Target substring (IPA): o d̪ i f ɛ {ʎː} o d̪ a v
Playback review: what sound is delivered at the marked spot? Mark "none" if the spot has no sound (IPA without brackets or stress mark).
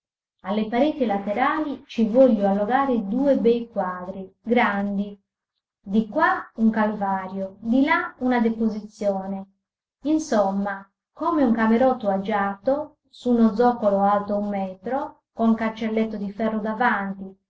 rː